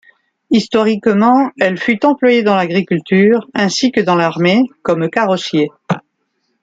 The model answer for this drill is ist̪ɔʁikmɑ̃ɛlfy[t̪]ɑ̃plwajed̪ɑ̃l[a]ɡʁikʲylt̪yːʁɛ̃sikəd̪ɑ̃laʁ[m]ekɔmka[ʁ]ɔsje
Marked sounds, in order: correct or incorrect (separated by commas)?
correct, correct, correct, correct